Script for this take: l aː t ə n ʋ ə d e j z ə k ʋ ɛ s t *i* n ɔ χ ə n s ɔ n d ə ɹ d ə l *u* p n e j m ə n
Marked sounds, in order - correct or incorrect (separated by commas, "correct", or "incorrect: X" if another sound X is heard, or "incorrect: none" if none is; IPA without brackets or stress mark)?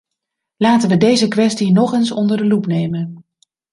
correct, correct